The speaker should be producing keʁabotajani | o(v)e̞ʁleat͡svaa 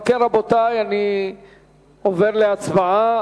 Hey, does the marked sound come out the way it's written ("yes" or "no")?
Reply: yes